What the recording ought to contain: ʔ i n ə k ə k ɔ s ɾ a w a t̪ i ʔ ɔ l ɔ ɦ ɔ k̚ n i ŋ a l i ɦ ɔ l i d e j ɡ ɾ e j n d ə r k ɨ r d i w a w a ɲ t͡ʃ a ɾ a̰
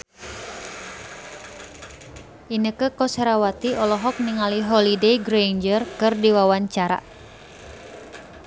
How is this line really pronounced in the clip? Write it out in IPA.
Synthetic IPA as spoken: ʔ i n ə k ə k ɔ s ɾ a w a t̪ i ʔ ɔ l ɔ ɦ ɔ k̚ n i ŋ a l i ɦ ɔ l i d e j ɡ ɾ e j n d͡ʒ ə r k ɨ r d i w a w a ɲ t͡ʃ a ɾ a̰